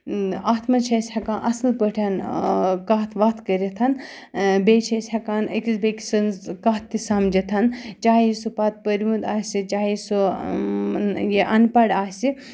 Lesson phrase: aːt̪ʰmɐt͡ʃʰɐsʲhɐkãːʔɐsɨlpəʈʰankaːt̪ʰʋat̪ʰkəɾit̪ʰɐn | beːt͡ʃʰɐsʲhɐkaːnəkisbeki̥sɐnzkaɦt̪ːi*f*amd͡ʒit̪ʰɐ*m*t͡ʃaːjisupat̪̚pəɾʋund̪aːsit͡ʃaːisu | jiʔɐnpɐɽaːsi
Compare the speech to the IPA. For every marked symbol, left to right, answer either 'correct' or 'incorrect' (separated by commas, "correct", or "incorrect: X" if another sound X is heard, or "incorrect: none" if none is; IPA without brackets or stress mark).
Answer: incorrect: s, incorrect: n